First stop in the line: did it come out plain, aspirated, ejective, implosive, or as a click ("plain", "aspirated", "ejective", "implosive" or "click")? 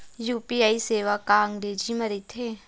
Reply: plain